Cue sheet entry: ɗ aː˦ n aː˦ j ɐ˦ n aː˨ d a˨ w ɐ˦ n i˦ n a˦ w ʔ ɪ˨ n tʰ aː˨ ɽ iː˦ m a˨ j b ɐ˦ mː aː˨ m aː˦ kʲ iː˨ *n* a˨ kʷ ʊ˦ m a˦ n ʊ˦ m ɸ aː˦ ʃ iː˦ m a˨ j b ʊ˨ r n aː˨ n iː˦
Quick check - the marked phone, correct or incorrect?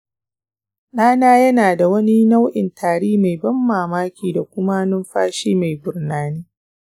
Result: incorrect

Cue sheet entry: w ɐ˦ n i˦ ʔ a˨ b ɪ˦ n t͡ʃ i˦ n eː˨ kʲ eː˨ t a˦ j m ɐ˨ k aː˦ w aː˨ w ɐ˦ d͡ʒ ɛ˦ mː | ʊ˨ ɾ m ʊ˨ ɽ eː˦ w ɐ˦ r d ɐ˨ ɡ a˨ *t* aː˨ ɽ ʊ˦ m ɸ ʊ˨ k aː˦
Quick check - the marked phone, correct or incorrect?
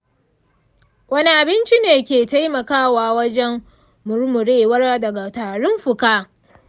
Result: correct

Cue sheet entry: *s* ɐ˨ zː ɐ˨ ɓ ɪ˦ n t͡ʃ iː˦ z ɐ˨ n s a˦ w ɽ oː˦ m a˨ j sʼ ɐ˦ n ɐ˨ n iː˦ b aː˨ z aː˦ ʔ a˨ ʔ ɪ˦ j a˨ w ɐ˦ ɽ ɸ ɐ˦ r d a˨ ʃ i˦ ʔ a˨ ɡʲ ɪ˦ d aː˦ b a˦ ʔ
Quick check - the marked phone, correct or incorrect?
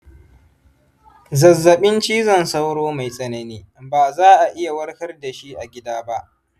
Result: incorrect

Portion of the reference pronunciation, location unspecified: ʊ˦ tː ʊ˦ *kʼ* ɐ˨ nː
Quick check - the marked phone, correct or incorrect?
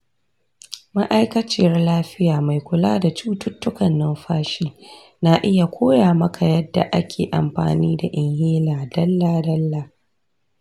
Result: incorrect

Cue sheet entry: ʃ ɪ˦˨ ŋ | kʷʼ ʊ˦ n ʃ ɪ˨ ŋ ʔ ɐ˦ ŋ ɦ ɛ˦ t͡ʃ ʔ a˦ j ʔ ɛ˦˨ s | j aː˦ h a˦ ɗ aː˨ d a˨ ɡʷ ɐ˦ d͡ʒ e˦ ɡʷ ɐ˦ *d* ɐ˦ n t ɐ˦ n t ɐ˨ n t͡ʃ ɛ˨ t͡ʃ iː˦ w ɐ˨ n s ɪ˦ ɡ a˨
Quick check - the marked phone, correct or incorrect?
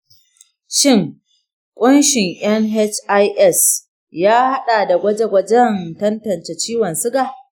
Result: incorrect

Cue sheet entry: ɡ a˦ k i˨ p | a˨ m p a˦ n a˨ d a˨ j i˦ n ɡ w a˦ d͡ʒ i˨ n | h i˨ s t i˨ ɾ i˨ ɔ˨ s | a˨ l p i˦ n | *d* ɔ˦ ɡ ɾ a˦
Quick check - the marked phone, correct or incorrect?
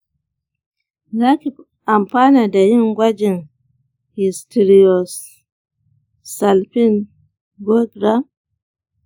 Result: incorrect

